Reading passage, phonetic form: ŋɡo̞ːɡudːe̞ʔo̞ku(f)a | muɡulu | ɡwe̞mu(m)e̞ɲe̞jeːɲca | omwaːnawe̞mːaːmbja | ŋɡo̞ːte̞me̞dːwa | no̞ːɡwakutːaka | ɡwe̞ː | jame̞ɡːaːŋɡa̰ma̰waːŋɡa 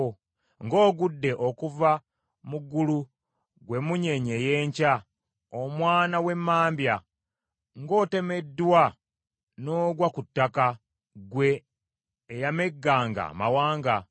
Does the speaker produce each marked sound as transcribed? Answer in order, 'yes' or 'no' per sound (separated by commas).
no, no